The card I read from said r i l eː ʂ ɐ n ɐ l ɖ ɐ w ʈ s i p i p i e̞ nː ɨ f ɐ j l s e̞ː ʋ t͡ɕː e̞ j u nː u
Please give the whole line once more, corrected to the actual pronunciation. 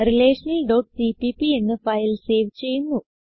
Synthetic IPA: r i l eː ʂ ɐ n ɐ l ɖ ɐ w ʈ s i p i p i e̞ nː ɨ f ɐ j l s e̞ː ʋ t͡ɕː e̞ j u nː u